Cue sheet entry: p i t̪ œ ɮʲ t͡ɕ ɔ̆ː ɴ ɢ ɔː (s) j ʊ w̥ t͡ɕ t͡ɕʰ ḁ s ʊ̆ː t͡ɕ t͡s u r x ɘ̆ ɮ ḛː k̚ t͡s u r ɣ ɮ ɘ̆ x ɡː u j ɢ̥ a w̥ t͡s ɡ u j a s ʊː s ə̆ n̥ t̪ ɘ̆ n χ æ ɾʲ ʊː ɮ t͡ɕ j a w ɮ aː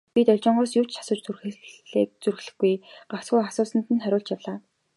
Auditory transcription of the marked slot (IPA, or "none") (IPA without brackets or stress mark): s